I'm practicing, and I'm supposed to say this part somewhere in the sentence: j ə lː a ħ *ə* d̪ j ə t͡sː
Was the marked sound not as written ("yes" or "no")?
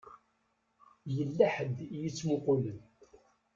no